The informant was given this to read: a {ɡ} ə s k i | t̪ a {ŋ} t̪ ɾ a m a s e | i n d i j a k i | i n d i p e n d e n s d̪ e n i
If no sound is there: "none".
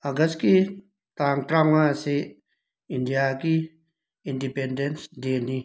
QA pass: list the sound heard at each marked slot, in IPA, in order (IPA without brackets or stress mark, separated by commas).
ɡ, ŋ